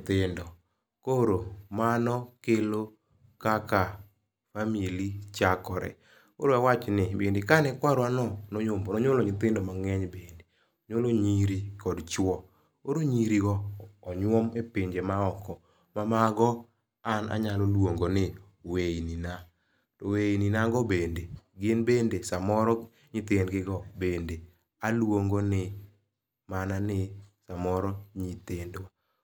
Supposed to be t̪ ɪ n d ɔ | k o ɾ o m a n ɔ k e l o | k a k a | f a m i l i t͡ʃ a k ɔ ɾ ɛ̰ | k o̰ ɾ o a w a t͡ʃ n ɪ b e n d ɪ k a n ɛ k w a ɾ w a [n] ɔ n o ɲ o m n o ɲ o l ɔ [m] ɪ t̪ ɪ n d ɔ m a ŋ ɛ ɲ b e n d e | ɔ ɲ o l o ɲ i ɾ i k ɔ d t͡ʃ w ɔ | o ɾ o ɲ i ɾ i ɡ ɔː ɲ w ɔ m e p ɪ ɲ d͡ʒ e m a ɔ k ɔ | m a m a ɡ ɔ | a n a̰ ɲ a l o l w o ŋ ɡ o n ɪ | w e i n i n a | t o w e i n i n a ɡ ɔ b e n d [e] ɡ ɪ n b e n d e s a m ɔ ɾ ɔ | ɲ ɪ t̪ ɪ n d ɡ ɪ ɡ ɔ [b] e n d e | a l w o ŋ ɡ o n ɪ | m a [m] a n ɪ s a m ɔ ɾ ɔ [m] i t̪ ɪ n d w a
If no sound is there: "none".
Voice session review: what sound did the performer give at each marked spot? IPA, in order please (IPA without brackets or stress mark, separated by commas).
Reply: n, ɲ, e, b, n, ɲ